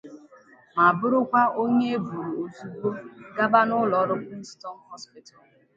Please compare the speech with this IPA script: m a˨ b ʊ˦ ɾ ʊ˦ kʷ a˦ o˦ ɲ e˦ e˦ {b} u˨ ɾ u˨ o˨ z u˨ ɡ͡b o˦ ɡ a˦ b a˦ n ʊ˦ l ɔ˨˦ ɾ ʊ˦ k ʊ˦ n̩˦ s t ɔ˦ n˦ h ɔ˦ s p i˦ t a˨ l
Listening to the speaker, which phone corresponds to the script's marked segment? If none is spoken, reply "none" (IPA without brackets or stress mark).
b